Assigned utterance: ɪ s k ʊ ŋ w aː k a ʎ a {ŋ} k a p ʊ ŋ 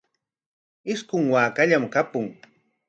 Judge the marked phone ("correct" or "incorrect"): incorrect